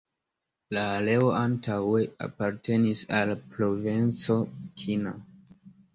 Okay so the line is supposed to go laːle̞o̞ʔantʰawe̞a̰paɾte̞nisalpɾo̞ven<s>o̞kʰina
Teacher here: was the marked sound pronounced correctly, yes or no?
no